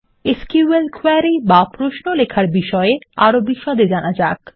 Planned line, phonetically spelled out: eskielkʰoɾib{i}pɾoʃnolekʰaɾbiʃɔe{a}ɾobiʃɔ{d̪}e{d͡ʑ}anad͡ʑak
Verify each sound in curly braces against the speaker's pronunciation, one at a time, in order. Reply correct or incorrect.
incorrect, correct, correct, correct

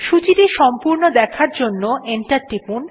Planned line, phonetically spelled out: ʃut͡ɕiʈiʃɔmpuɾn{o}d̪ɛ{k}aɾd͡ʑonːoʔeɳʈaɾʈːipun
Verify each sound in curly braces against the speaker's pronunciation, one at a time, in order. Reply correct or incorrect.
correct, incorrect

